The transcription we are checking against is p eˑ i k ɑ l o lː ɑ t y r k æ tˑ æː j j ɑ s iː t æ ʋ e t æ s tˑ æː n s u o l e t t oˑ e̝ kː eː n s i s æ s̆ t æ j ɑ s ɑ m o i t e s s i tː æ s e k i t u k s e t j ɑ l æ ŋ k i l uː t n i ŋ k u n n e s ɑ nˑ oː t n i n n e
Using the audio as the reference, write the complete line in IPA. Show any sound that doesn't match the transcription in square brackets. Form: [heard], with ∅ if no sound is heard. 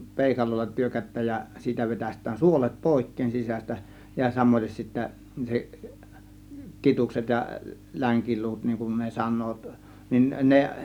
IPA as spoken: p eˑ i k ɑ l o lː ɑ t y r k æ tˑ æː j j ɑ s iː t æ ʋ e t æ s tˑ æː n s u o l e t [p] oˑ e̝ kː eː n s i s æ s̆ t æ j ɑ s ɑ m o i t e s s i tː æ s e k i t u k s e t j ɑ l æ ŋ k i l uː t n i ŋ k u n n e s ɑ nˑ oː t n i n n e